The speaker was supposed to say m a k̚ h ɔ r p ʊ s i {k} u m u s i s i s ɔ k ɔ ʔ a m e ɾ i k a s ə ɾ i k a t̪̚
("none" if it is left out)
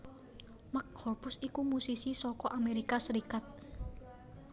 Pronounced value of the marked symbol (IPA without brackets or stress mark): k